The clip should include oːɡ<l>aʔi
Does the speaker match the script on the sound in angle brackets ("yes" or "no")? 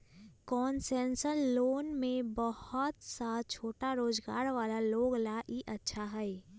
yes